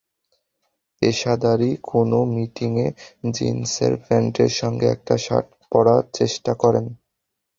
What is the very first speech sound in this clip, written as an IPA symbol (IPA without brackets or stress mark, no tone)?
e